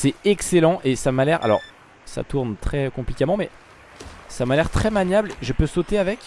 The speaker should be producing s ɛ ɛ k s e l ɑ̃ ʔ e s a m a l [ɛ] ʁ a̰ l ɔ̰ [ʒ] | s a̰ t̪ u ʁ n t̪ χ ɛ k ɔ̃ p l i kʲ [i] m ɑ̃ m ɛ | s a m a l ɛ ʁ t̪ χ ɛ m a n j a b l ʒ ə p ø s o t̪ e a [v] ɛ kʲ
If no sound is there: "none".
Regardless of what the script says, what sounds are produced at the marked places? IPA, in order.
ɛ, ʁ, a, v

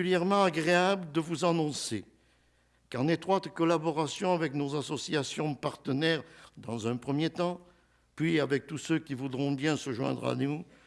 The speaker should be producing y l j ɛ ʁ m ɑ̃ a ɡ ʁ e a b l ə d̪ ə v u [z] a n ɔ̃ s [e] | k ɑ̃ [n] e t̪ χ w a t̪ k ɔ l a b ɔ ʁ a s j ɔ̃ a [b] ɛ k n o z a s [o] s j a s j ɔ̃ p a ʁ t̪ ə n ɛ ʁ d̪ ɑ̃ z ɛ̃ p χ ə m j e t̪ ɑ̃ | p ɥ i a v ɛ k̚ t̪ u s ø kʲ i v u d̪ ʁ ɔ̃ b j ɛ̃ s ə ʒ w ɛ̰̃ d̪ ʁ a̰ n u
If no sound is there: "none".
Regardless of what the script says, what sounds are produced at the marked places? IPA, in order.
z, e, n, v, ɔ

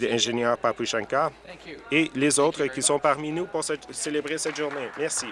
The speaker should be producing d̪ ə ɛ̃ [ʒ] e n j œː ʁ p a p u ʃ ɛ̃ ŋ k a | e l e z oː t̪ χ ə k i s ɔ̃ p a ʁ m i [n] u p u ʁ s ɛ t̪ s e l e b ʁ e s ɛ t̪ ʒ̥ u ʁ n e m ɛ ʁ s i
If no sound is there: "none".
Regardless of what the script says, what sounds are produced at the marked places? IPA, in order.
ʒ, n

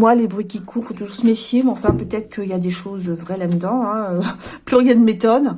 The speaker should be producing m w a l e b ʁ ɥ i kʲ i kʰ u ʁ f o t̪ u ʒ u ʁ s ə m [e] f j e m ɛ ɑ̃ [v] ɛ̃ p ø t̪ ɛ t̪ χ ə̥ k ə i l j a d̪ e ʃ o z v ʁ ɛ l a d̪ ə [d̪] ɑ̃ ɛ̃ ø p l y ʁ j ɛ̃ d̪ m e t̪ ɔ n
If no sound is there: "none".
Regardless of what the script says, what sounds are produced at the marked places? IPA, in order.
e, f, d̪

